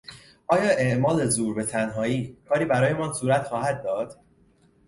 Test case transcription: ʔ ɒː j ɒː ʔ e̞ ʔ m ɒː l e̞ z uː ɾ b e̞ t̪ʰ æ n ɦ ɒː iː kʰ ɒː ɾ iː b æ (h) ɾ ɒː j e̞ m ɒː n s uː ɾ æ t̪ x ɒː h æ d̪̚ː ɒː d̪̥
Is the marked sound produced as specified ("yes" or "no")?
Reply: no